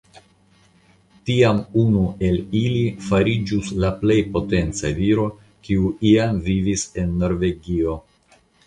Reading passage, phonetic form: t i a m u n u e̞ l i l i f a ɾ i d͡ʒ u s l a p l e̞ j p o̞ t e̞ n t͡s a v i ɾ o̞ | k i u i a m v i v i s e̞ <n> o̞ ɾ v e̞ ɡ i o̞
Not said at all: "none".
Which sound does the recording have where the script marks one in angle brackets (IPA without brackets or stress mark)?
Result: nː